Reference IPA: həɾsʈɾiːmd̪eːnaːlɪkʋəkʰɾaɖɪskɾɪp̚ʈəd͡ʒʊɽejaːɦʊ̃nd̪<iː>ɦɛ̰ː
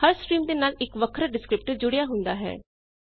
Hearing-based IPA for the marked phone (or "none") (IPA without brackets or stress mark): aː